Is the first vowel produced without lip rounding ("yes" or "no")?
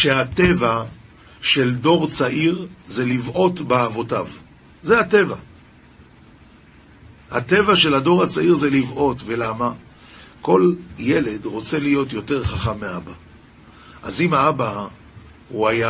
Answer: yes